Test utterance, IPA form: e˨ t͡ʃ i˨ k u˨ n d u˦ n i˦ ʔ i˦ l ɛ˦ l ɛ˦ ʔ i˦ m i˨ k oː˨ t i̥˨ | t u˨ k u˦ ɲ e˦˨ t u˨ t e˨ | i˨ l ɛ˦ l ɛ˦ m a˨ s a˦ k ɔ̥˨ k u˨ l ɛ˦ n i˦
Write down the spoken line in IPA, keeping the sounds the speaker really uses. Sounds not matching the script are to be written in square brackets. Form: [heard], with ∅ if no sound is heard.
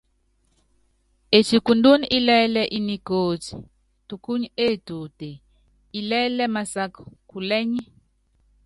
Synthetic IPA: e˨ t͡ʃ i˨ k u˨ n d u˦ n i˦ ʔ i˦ l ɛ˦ l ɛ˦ ʔ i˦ [n] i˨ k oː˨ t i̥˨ | t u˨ k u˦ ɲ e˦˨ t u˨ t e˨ | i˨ l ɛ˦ l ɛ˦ m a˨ s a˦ k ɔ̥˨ k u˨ l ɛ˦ [ɲ] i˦